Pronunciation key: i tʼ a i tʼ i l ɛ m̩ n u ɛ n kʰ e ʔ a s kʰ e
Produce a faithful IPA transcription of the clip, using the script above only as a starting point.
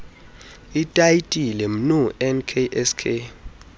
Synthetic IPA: i tʼ a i tʼ i l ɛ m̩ n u ɛ n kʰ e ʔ ɛ s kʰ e